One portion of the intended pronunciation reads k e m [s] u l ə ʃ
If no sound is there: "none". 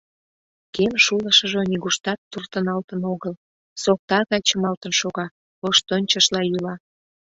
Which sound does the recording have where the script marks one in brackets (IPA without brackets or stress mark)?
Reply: ʃ